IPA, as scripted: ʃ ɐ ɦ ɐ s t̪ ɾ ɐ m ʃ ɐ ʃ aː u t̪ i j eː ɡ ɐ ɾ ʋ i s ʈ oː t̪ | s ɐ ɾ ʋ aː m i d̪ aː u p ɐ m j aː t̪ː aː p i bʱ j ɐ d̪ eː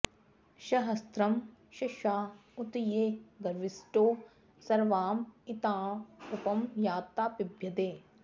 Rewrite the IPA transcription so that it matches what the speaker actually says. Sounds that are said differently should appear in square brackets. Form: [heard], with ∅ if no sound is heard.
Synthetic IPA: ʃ ɐ ɦ ɐ s t̪ ɾ ɐ m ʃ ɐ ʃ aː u t̪ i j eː ɡ ɐ ɾ ʋ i s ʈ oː [∅] | s ɐ ɾ ʋ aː m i [t̪] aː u p ɐ m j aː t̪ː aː p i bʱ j ɐ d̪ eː